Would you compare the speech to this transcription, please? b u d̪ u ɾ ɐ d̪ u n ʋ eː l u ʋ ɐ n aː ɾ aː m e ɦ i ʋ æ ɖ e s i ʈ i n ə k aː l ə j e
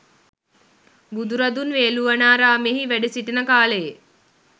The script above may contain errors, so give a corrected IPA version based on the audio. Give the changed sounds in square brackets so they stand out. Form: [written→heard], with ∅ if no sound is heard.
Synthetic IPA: b u d̪ u ɾ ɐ d̪ u n ʋ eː l u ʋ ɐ n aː ɾ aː m e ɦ i ʋ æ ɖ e s i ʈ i n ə k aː l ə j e